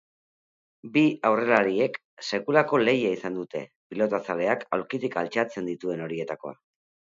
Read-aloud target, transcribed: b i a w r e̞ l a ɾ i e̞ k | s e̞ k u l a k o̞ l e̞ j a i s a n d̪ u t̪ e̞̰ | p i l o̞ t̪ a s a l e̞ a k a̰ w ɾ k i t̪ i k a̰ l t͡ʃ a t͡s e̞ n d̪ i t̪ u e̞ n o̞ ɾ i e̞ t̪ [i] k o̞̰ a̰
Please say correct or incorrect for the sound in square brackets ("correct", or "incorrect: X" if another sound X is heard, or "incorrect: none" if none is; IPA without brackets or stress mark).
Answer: incorrect: a